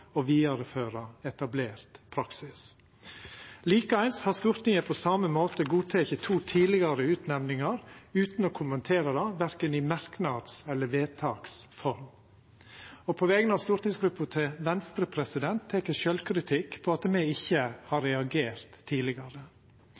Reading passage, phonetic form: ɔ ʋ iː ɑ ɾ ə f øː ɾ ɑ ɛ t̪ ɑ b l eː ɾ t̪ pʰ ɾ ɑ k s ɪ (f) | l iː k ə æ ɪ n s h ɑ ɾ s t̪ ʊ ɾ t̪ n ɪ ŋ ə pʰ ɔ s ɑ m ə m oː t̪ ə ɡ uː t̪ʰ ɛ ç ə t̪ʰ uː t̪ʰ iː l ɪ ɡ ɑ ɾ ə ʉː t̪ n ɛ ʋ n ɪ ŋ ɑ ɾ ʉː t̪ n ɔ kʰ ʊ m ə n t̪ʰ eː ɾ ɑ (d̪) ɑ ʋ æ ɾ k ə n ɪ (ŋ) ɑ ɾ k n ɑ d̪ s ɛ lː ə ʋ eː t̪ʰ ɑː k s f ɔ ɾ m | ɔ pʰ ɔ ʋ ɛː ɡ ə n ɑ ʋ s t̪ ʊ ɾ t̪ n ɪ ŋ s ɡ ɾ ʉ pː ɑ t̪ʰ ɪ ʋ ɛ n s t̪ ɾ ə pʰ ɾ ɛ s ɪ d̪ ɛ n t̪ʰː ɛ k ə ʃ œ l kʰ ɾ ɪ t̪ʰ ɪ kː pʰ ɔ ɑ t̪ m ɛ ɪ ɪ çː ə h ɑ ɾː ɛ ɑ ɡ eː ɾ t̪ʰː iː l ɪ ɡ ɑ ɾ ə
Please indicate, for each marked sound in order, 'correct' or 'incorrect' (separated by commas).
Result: incorrect, correct, incorrect